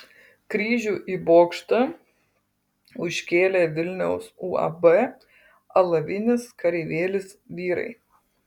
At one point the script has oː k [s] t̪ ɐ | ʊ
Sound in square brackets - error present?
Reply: yes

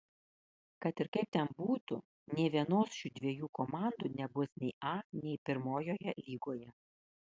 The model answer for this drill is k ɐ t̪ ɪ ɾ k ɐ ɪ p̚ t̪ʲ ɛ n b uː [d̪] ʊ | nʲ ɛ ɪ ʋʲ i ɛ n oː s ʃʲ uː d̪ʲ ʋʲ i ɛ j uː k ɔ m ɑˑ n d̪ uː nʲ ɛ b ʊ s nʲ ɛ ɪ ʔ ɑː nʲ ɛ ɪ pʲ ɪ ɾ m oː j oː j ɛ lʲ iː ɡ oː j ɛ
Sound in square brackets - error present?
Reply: yes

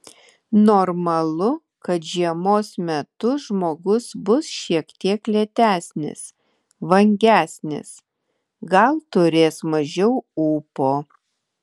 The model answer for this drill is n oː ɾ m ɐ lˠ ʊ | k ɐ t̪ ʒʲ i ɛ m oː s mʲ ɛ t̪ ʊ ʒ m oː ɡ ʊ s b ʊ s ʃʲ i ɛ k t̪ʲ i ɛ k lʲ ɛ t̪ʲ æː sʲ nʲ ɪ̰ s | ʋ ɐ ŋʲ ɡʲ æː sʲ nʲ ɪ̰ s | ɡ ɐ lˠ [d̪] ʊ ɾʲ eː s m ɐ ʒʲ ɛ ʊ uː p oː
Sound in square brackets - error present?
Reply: yes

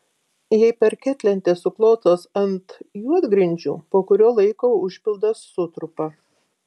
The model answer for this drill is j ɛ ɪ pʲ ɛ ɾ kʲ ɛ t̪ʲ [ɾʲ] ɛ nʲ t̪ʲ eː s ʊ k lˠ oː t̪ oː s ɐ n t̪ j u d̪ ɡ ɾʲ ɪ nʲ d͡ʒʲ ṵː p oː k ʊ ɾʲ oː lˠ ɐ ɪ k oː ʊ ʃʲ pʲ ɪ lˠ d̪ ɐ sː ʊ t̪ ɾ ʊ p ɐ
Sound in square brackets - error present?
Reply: yes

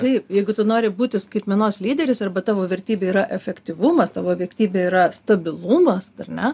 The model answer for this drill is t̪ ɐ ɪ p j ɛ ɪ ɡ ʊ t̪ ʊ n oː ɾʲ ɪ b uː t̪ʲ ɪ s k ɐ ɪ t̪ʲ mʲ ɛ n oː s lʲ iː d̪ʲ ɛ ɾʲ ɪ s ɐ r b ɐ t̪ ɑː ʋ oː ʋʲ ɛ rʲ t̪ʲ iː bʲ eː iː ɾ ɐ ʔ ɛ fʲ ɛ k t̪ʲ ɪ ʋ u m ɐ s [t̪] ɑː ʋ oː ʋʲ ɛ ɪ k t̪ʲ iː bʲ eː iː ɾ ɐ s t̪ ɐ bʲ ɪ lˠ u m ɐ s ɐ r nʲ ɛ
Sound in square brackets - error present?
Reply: no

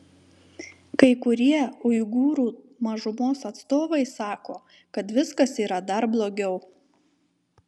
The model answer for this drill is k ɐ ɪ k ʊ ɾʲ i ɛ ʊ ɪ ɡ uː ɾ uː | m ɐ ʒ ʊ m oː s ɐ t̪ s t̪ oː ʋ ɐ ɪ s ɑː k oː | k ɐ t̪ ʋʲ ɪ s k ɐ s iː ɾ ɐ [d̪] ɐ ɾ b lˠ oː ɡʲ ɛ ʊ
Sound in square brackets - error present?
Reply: no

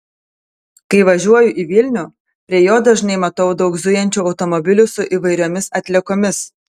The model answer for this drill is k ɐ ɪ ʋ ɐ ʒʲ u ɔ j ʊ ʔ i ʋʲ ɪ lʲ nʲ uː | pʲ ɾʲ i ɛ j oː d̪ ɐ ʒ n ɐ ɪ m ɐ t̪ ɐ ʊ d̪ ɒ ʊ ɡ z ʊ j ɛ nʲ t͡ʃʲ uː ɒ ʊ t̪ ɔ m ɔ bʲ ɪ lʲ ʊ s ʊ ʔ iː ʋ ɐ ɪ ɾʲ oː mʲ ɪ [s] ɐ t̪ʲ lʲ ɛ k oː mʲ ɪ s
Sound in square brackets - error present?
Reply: no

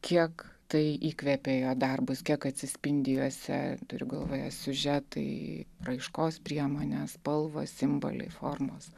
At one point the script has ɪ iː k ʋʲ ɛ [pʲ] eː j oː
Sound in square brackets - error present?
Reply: no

